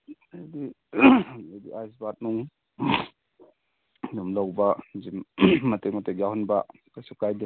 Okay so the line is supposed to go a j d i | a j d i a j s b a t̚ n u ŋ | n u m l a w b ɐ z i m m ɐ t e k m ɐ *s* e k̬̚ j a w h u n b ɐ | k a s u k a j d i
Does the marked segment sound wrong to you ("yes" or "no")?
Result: yes